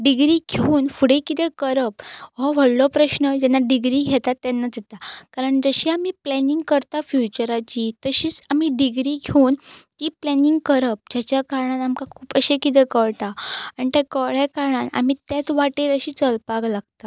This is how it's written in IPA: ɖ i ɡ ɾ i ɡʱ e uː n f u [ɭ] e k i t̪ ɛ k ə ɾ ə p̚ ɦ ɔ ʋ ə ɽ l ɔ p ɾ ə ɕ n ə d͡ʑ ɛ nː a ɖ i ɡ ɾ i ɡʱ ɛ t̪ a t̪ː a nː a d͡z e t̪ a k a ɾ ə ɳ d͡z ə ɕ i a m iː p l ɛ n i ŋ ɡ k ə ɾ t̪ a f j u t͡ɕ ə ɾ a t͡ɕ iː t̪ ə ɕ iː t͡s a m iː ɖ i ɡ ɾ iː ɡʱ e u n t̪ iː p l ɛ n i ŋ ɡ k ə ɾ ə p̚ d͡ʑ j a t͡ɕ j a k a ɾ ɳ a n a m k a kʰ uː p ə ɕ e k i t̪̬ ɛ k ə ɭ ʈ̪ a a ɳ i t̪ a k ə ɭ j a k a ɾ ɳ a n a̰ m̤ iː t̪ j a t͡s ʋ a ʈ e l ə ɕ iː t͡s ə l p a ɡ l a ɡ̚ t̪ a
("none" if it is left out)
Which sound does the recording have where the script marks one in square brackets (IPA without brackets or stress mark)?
ɽ